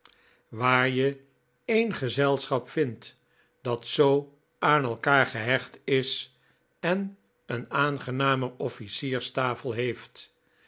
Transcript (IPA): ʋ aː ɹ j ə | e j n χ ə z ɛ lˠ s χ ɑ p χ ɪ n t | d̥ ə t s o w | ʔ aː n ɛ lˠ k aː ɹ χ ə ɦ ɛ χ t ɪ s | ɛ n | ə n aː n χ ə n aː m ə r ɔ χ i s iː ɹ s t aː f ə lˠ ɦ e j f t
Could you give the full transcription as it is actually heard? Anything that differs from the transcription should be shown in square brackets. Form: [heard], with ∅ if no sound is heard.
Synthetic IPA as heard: ʋ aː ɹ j ə | e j n χ ə z ɛ lˠ s χ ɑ p [f] ɪ n t | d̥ [ɑ] t s o w | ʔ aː n ɛ lˠ k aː ɹ χ ə ɦ ɛ χ t ɪ s | ɛ n | ə n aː n χ ə n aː m ə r ɔ [f] i s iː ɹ s t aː f ə lˠ ɦ e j f t